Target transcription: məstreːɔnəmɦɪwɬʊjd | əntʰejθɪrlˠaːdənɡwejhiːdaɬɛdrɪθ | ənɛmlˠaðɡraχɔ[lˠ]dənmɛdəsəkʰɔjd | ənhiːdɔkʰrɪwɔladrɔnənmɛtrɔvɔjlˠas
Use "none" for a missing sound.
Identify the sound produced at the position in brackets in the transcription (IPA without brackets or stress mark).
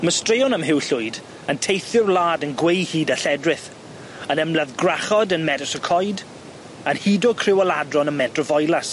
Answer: none